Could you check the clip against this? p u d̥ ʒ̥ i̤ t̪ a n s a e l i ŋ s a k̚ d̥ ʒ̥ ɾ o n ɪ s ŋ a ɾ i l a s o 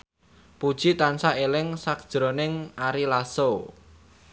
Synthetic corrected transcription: p u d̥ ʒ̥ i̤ t̪ a n s a e l ɪ ŋ s a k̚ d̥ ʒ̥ ɾ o n ɪ ŋ a ɾ i l a s o